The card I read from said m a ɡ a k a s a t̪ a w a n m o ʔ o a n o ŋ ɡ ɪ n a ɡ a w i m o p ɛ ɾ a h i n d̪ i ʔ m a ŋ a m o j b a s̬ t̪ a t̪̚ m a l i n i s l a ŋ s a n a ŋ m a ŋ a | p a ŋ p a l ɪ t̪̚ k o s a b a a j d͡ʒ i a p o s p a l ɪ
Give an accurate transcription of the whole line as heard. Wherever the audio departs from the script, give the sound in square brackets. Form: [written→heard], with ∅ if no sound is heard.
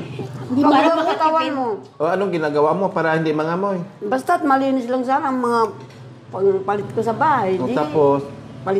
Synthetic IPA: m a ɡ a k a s a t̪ a w a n m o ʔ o a n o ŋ ɡ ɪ n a ɡ a w [i→a] m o p [ɛ→a] ɾ a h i n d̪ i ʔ m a ŋ a m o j b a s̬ t̪ a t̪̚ m a l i n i s l a ŋ s a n a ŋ m a ŋ a | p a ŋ p a l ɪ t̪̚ k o s a b a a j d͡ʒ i a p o s p a l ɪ